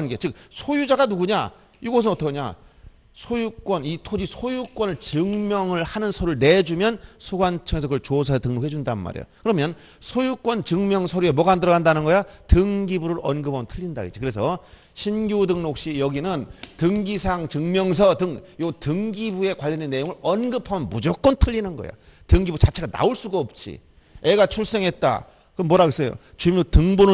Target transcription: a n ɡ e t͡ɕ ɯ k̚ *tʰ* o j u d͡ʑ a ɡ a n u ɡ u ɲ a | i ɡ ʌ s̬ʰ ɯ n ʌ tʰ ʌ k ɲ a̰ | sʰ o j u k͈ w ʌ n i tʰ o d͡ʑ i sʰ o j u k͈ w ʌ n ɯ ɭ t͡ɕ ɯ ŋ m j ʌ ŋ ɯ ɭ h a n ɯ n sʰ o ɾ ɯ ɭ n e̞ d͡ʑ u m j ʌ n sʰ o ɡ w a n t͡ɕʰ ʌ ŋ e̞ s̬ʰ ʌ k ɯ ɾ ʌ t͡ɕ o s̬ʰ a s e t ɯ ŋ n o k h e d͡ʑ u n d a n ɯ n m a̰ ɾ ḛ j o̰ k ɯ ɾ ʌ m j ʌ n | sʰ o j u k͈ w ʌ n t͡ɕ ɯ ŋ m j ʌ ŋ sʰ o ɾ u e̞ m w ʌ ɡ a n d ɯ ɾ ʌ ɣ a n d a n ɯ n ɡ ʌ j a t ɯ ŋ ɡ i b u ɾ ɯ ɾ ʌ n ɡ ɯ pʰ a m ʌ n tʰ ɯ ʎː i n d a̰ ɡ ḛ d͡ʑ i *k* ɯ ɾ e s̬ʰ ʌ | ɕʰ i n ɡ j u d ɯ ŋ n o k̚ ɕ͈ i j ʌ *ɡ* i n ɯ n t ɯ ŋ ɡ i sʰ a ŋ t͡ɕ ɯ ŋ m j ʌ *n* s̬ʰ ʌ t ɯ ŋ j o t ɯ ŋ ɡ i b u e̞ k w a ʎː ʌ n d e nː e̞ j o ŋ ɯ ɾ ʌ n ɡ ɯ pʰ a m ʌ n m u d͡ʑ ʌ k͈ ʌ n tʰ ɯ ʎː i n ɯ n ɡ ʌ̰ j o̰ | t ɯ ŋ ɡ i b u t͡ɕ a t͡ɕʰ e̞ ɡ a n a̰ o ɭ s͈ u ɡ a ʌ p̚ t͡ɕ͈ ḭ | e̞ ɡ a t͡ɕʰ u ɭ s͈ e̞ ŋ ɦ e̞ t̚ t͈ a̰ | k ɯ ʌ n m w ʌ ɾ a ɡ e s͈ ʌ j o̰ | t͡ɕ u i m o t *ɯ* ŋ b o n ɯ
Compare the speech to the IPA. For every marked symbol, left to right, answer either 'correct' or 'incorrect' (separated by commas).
incorrect, correct, correct, incorrect, correct